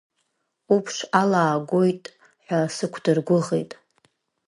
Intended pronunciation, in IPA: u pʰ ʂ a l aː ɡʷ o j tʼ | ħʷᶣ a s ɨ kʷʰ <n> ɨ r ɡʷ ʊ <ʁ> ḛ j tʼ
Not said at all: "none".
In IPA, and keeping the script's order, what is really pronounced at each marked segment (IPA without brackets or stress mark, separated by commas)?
d, ʁ